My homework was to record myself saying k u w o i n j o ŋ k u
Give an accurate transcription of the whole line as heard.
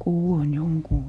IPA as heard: k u w o i n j o ŋ k uː